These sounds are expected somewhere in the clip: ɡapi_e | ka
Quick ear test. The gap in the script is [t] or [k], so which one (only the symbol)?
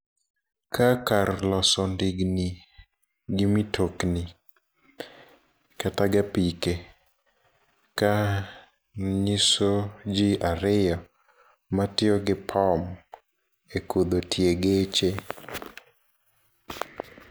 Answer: k